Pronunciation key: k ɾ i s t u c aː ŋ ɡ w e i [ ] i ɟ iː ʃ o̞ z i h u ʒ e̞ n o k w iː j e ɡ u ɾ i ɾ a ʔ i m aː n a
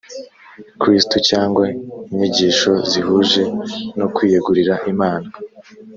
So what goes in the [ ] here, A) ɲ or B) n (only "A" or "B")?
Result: A